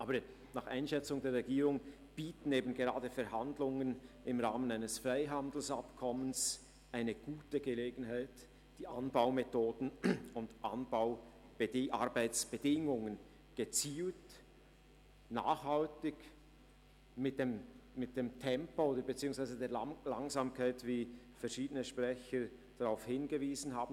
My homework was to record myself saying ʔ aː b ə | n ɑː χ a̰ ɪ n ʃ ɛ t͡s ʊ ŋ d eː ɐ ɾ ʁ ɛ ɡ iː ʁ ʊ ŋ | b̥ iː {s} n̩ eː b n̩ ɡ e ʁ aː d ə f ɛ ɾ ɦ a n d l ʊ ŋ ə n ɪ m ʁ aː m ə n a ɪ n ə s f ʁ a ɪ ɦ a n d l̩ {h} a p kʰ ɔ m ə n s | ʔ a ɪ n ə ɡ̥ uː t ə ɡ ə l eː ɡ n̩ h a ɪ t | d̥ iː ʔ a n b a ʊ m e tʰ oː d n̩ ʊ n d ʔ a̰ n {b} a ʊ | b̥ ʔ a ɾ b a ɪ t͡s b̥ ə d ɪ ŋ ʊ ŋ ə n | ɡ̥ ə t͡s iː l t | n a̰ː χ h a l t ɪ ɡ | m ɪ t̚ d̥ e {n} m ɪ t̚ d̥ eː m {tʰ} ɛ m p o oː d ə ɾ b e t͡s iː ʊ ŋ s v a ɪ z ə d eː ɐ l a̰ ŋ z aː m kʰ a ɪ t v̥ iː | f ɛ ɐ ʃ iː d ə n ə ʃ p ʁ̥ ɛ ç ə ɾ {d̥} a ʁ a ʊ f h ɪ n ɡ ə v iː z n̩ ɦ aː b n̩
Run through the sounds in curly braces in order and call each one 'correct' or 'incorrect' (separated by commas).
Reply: incorrect, incorrect, correct, incorrect, correct, correct